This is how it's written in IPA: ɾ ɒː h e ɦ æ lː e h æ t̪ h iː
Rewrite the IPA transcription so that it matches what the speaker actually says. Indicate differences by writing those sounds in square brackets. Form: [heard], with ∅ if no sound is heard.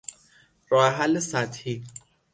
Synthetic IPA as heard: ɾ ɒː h e ɦ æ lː e [s] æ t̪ h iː